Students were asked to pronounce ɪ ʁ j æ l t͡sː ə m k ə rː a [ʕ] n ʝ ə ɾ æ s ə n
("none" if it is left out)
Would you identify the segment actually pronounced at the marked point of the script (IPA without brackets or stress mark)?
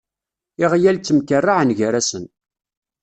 ʕ